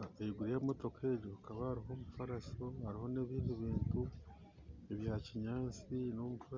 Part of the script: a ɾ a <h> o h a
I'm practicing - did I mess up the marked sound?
yes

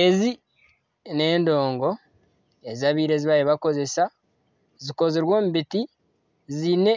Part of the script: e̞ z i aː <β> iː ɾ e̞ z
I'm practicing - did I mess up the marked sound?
no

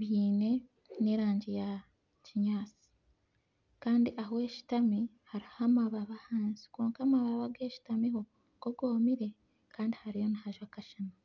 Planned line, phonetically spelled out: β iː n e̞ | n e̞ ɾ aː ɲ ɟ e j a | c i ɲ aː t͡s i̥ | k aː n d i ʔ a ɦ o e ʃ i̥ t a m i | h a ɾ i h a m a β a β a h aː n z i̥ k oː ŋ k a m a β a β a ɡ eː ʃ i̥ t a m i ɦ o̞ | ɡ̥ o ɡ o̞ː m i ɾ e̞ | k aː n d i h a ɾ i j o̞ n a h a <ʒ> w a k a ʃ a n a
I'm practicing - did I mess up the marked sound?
no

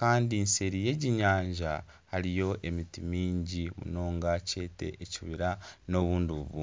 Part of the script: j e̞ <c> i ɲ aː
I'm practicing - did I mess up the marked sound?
yes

